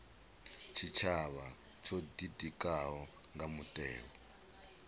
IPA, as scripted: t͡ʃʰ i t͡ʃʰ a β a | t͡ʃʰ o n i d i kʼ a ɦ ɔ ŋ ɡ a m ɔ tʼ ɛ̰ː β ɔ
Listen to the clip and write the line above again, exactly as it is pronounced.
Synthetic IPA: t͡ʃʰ i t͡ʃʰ a β a | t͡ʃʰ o d i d i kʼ a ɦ ɔ ŋ ɡ a m u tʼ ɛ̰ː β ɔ

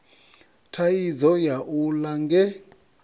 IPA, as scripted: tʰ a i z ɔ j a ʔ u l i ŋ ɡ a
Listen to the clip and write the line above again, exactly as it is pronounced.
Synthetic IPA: tʰ a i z ɔ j a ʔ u l a ŋ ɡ ɛ

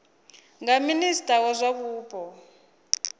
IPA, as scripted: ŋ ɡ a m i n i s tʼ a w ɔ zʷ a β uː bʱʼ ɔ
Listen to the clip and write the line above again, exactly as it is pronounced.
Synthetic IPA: ŋ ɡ a m i n i s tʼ a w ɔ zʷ a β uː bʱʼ ɔ

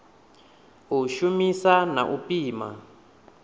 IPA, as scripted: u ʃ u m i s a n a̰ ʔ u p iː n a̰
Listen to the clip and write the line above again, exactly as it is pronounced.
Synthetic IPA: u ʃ u m i s a n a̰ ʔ u p iː m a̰

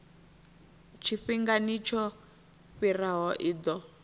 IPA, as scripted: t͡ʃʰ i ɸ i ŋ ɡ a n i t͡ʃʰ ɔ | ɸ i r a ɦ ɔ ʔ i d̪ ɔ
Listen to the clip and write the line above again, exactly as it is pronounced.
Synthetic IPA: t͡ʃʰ i ɸ i ŋ ɡ a n i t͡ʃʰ ɔ | ɸ i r a ɦ ɔ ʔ i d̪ ɔ

